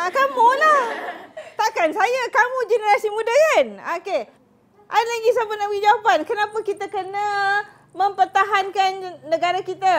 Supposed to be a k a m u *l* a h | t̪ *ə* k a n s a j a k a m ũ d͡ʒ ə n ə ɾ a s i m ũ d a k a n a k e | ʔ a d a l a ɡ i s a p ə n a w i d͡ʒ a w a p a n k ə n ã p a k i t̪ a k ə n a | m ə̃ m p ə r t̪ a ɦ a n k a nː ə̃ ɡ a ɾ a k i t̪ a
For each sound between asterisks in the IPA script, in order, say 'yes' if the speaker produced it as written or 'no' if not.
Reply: yes, no

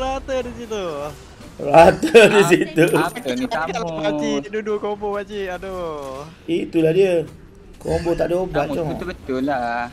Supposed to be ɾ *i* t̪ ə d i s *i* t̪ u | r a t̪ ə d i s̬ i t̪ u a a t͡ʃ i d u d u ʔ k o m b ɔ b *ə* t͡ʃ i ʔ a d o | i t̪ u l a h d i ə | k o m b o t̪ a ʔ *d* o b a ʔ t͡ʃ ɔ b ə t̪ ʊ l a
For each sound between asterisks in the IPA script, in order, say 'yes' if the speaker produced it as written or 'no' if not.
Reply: no, yes, no, yes

